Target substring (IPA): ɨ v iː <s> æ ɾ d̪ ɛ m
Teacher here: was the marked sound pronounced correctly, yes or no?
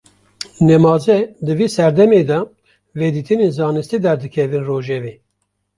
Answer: yes